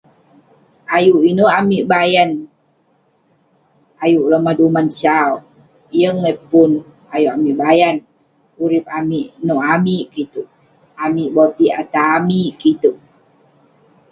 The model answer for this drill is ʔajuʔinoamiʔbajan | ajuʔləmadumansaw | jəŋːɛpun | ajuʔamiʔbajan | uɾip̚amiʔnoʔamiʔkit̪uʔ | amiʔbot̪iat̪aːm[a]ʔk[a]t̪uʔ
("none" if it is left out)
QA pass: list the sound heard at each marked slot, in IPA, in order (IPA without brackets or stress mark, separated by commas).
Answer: i, i